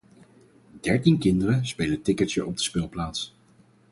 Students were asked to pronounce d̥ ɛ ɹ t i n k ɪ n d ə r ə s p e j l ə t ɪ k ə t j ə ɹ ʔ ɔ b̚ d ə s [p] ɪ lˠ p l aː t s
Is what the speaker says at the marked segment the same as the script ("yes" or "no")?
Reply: yes